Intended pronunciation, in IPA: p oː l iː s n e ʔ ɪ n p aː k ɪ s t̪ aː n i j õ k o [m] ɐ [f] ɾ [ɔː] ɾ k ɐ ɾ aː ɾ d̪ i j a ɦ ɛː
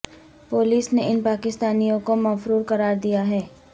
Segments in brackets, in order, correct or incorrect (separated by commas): correct, correct, incorrect